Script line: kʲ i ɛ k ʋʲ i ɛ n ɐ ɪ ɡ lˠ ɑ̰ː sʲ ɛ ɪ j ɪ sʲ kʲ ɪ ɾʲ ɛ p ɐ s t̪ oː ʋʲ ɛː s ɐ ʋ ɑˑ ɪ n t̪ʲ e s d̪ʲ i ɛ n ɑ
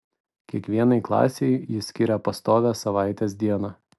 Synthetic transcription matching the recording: kʲ i ɛ k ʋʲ i ɛ n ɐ ɪ k lˠ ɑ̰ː sʲ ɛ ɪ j ɪ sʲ kʲ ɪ ɾʲ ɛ p ɐ s t̪ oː ʋʲ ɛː s ɐ ʋ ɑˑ ɪ t̪ʲ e s d̪ʲ i ɛ n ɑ